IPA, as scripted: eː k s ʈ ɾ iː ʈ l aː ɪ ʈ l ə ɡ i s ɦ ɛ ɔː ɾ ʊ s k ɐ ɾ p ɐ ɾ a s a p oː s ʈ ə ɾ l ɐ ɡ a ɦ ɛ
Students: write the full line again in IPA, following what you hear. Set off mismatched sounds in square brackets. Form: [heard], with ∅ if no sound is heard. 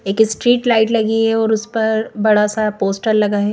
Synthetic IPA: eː k s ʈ ɾ iː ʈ l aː ɪ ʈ l [ɐ] ɡ i [∅] ɦ ɛ ɔː ɾ ʊ s [p] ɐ ɾ [b] ɐ [ɽ] a s a p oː s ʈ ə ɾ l ɐ ɡ a ɦ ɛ

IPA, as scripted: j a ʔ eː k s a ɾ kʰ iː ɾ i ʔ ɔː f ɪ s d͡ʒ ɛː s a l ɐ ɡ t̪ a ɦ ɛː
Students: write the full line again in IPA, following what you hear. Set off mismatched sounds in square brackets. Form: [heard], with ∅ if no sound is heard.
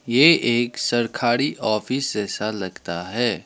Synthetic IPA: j [e] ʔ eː k s [ɐ] ɾ kʰ [aː] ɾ i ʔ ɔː f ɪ s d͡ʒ ɛː s a l ɐ ɡ t̪ a ɦ ɛː

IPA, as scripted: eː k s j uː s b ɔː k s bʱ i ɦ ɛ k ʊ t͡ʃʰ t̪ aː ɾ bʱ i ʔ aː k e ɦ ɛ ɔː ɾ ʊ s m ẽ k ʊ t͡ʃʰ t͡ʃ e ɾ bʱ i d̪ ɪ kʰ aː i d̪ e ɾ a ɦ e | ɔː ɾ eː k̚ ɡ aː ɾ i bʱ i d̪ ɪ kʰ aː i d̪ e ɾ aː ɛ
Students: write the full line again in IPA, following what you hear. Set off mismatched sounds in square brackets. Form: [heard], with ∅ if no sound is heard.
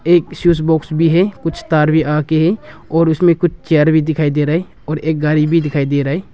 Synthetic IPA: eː k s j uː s b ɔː k s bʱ i ɦ ɛ k ʊ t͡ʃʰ t̪ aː ɾ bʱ i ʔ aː k e ɦ ɛ ɔː ɾ ʊ s m ẽ k ʊ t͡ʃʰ t͡ʃ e ɾ bʱ i d̪ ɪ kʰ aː i d̪ e ɾ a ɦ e | ɔː ɾ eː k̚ ɡ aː ɾ i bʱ i d̪ ɪ kʰ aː i d̪ e ɾ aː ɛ

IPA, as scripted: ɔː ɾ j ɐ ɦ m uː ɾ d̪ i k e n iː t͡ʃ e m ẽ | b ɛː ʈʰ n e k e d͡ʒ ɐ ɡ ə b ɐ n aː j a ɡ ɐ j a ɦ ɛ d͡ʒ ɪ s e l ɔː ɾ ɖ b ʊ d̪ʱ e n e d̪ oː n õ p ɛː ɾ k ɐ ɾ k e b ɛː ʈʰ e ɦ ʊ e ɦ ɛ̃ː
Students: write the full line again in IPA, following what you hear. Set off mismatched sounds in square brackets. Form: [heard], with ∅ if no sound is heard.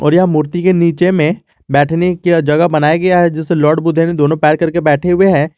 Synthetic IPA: ɔː ɾ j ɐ ɦ m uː ɾ [t̪] i k e n iː t͡ʃ e m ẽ | b ɛː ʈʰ n e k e d͡ʒ ɐ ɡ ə b ɐ n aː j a ɡ ɐ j a ɦ ɛ d͡ʒ ɪ s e l ɔː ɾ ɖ b ʊ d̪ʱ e n e d̪ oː n õ p ɛː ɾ k ɐ ɾ k e b ɛː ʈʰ e ɦ ʊ e ɦ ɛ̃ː

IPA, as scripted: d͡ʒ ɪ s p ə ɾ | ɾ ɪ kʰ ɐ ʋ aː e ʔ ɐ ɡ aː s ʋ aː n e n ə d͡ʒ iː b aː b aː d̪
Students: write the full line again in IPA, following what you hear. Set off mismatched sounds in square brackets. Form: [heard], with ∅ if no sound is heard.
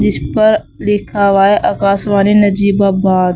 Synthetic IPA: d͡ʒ ɪ s p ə ɾ | [l] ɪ kʰ [a] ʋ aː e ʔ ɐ [k] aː s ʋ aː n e n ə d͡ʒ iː b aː b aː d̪

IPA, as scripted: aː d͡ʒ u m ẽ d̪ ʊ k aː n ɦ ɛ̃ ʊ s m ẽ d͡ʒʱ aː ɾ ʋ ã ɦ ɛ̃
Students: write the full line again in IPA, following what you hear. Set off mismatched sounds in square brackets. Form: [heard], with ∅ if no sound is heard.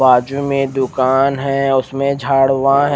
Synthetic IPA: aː d͡ʒ u m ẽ d̪ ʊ k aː n ɦ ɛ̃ ʊ s m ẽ d͡ʒʱ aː [ɽ] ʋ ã ɦ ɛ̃

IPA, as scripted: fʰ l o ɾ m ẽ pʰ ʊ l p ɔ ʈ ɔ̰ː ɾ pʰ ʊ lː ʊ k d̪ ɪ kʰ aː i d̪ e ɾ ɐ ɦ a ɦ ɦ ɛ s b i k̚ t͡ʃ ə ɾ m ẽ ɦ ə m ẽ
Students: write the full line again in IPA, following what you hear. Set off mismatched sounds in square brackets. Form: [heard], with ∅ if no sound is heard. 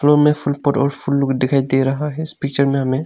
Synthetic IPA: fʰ l o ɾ m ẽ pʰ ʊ l p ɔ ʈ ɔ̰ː ɾ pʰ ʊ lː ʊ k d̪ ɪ kʰ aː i d̪ e ɾ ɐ ɦ a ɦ ɦ ɛ s [p] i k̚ t͡ʃ ə ɾ m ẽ ɦ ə m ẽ

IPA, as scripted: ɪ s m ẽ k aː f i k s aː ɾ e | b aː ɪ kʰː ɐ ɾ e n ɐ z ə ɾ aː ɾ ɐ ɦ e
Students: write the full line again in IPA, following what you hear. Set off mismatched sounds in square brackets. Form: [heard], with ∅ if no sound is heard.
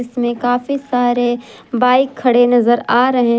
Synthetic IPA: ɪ s m ẽ k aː f i [∅] s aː ɾ e | b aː ɪ kʰː ɐ [ɽ] e n ɐ z ə ɾ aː ɾ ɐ ɦ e

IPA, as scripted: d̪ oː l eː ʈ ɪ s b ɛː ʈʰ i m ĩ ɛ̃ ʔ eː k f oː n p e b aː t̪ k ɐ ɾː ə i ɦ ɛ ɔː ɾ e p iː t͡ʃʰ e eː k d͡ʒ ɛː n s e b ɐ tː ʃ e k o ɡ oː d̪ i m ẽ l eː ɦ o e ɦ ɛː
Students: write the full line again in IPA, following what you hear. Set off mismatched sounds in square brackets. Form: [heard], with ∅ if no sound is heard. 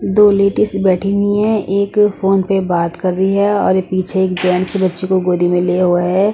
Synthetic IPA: d̪ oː l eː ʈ ɪ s b ɛː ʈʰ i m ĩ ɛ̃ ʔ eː k f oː n p e b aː t̪ k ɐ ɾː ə i ɦ ɛ ɔː ɾ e p iː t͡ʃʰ e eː k d͡ʒ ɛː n s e b ɐ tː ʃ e k o ɡ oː d̪ i m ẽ l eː ɦ o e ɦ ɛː

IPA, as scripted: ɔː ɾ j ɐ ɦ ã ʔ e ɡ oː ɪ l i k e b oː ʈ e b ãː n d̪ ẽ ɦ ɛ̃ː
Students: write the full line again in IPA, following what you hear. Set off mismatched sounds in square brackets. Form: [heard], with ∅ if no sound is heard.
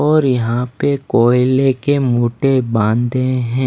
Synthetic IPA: ɔː ɾ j ɐ ɦ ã [p] e [k] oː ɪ l [e] k e [m] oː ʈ e b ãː n d̪ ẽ ɦ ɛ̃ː

